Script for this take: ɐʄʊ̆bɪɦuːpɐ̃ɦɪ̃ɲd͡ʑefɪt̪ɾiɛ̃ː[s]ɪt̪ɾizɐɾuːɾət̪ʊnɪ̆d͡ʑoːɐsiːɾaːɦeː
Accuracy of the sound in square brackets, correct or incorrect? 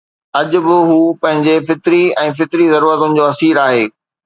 incorrect